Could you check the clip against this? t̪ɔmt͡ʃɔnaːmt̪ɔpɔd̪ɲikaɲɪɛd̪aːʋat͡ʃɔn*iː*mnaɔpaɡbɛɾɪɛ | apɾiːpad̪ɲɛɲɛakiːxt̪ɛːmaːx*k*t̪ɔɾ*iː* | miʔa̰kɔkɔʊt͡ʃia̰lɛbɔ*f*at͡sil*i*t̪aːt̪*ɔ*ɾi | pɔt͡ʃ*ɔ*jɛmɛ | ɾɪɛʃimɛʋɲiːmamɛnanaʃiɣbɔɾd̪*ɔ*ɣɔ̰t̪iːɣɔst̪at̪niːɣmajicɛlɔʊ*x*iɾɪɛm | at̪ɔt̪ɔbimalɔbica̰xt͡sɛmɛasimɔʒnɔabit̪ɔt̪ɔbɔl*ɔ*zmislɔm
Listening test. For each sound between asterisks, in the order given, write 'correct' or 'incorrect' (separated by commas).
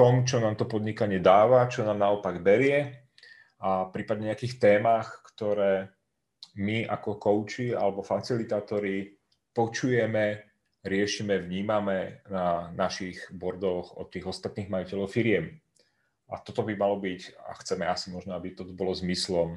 incorrect, correct, incorrect, correct, correct, correct, incorrect, correct, incorrect, correct